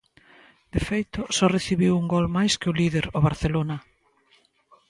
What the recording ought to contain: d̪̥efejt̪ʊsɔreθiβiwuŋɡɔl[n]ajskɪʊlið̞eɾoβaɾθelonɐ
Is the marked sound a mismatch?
yes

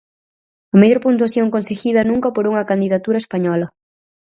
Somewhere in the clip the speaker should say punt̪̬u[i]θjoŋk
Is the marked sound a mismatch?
yes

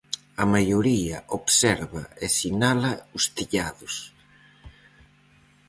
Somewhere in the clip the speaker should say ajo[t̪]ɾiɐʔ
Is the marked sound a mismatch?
yes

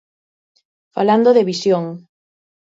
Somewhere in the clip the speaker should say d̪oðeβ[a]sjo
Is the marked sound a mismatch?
yes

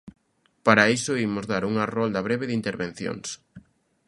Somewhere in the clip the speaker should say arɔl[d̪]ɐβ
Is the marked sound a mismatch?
no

